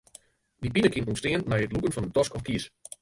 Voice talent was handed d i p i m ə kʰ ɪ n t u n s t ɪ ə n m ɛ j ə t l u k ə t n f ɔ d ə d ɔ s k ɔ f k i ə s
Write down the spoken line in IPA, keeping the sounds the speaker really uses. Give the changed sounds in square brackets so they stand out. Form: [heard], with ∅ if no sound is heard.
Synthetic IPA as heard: d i p i [n] ə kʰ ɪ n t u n s t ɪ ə n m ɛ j ə t l u k ə [∅] n f ɔ [n] ə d ɔ s k ɔ f k i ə s